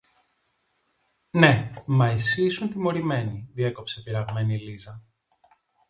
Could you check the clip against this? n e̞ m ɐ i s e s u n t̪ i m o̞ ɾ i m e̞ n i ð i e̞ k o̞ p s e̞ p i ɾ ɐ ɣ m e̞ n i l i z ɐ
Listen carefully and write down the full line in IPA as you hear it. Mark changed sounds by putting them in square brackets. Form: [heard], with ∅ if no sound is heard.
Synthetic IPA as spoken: n e̞ m ɐ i s [i] s u n t̪ i m o̞ ɾ i m e̞ n i ð i e̞ k o̞ p s e̞ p i ɾ ɐ ɣ m e̞ n i l i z ɐ